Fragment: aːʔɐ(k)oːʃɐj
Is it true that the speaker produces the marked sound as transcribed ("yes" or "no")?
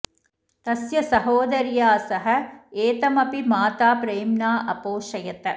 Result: no